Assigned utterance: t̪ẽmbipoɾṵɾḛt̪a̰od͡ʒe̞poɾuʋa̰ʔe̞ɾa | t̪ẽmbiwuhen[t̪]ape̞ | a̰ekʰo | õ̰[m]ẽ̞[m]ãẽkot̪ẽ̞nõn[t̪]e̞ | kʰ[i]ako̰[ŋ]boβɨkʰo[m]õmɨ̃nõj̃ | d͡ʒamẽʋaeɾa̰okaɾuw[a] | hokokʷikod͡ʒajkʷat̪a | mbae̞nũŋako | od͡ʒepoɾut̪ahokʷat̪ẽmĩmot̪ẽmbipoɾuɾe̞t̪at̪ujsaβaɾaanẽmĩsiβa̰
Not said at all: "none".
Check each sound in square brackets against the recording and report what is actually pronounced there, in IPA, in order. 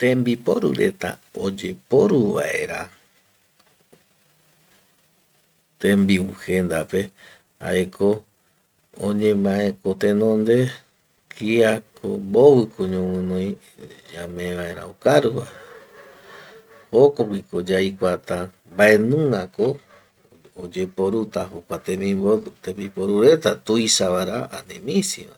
d̪, ɲ, m, d̪, i, m, ɲ, a

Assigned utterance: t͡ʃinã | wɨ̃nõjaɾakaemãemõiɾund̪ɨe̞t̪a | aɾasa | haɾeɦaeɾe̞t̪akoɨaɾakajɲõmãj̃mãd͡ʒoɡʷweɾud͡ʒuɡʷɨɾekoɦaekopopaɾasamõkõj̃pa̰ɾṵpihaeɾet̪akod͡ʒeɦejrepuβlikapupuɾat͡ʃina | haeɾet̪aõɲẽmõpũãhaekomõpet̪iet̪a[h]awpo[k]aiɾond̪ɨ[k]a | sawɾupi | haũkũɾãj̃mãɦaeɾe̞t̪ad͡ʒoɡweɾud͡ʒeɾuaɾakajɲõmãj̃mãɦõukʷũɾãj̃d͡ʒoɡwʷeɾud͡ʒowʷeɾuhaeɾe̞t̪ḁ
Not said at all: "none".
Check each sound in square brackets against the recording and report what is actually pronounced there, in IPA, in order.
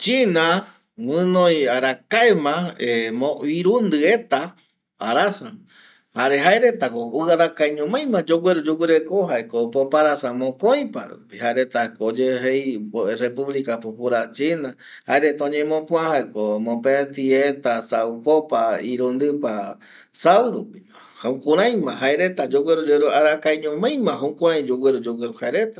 s, p, p

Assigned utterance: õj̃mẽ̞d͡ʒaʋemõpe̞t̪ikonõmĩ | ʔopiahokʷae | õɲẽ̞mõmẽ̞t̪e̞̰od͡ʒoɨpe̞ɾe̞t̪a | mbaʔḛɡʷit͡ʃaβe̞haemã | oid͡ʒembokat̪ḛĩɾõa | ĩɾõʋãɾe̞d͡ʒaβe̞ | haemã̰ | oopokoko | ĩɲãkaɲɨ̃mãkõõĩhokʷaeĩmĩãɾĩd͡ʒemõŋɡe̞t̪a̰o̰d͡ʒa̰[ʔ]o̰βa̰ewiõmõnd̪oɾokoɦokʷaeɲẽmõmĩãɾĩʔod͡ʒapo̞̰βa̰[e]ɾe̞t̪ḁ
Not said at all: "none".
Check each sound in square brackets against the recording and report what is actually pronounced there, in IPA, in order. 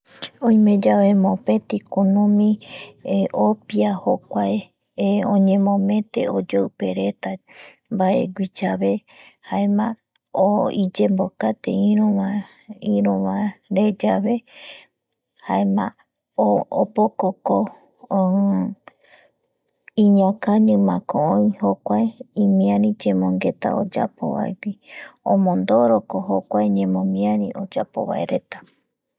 p, e

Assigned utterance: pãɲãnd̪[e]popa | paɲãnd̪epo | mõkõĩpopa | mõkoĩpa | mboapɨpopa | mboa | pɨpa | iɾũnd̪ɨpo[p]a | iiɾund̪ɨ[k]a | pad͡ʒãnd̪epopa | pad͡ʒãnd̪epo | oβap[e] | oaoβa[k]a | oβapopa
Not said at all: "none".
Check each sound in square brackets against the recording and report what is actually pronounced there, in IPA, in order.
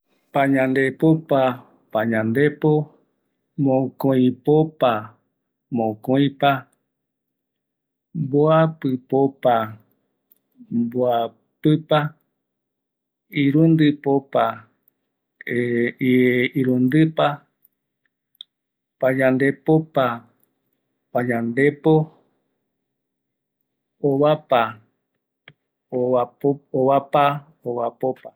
e, p, p, a, p

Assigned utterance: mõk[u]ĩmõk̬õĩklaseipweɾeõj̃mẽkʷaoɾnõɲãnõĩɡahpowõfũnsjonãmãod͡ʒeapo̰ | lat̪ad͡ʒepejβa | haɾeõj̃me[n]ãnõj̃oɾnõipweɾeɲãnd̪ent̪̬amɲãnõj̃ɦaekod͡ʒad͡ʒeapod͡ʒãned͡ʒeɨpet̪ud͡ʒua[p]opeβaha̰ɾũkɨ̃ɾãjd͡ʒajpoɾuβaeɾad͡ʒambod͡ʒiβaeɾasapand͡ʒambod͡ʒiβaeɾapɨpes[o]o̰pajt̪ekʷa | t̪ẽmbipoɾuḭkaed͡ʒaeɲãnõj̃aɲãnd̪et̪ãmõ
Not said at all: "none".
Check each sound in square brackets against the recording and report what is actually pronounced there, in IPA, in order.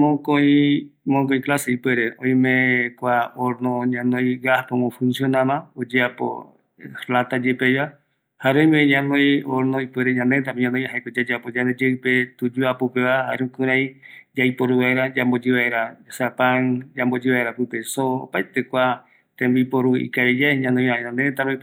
o, ɲ, p, o

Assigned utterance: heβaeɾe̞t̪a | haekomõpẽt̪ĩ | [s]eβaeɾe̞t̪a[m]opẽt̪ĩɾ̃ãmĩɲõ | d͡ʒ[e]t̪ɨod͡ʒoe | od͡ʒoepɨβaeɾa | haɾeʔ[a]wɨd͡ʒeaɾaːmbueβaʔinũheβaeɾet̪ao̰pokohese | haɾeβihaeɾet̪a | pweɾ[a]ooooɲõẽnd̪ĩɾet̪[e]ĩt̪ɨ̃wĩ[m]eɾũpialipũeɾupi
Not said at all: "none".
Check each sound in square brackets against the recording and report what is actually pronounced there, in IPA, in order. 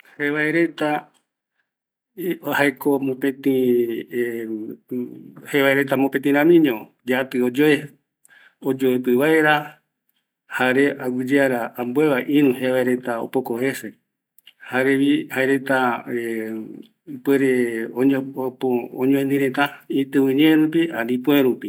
h, m, a, a, e, a, ɲ

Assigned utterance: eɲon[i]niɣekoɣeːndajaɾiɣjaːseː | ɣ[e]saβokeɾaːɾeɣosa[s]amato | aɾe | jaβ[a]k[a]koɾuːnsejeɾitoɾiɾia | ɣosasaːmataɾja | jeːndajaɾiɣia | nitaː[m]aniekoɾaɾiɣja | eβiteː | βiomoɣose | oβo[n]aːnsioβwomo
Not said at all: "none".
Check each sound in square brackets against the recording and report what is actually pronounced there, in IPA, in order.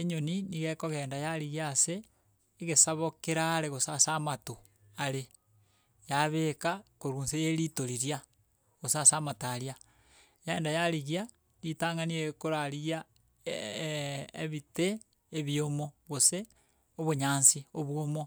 i, e, s, e, a, ŋ, ɲ

